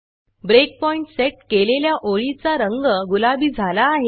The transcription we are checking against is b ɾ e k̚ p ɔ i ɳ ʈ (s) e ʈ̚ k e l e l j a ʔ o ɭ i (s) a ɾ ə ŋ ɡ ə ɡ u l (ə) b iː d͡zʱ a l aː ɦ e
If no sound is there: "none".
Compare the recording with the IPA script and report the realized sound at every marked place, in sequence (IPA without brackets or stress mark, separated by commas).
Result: s, t͡s, a